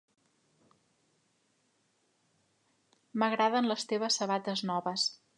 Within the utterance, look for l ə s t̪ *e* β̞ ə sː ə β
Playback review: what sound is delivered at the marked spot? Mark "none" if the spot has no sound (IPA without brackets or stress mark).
e